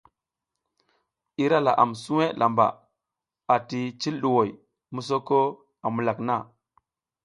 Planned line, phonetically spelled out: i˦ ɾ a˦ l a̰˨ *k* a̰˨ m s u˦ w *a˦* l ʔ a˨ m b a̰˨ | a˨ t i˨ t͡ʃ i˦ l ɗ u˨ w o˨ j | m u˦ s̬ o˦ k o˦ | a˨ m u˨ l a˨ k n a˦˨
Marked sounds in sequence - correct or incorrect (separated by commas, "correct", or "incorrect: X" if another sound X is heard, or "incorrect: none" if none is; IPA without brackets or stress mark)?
incorrect: ʔ, incorrect: e˦